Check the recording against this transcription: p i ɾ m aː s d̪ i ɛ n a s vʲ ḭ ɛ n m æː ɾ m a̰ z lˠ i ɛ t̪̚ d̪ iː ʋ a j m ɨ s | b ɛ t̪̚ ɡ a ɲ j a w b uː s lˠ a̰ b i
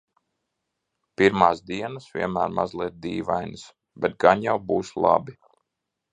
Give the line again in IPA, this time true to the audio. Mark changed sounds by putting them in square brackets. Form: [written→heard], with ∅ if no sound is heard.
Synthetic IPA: p i ɾ m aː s d̪ i ɛ n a s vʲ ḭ ɛ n m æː ɾ m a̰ z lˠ i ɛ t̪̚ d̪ iː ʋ a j [m→n] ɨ s | b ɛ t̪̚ ɡ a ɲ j a w b uː s lˠ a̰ b i